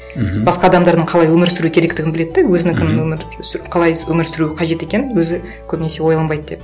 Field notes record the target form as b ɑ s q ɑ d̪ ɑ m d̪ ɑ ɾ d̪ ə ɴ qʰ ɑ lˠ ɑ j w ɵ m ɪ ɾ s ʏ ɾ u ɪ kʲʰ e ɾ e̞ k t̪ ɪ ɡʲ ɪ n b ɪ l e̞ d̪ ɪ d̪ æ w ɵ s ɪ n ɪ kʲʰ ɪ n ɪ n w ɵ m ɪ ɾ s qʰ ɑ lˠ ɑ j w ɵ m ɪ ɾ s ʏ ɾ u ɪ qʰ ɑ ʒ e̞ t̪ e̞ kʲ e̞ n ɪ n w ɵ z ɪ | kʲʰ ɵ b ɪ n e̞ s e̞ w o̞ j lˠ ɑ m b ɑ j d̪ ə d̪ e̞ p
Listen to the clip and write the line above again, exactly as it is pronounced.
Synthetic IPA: b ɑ s q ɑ d̪ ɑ m d̪ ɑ ɾ d̪ ə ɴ qʰ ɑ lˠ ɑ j w ɵ m ɪ ɾ s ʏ ɾ u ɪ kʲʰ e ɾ e̞ k t̪ ɪ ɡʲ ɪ n b ɪ l e̞ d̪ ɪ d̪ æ w ɵ z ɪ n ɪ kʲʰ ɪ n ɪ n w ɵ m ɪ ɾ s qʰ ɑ lˠ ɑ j w ɵ m ɪ ɾ s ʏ ɾ u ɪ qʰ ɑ ʒ e̞ t̪ e̞ kʲ e̞ n ɪ n w ɵ z ɪ | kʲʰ ɵ b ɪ n e̞ s e̞ w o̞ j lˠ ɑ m b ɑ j d̪ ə d̪ e̞ p